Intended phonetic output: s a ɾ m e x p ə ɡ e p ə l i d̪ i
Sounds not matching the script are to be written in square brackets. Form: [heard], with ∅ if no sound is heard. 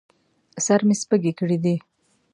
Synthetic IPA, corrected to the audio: s a ɾ m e [s] p ə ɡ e [k] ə [ɽ] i d̪ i